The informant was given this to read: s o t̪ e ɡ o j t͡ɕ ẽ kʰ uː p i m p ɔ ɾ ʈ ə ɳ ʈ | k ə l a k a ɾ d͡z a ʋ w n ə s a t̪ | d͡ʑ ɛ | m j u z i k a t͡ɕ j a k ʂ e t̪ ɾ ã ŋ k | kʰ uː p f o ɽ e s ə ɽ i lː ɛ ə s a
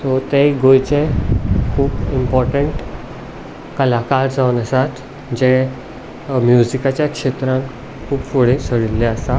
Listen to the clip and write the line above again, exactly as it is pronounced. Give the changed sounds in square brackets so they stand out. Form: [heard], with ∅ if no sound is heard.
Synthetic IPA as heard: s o t̪ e ɡ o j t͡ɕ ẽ kʰ uː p i m p ɔ ɾ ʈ ə ɳ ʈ | k ə l a k a ɾ d͡z a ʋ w n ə s a t̪ | d͡ʑ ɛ | m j u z i k a t͡ɕ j a k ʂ e t̪ ɾ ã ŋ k | kʰ uː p f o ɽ e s ə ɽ i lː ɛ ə s a